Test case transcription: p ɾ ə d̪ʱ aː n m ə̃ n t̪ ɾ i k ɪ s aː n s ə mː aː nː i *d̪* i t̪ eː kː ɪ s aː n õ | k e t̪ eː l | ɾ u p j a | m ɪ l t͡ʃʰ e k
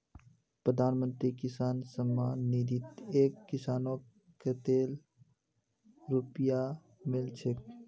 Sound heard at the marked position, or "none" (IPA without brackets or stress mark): d̪